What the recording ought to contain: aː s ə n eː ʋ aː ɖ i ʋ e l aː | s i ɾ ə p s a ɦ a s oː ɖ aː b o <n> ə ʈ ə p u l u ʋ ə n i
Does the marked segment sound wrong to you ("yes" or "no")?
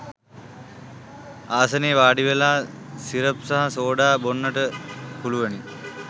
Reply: yes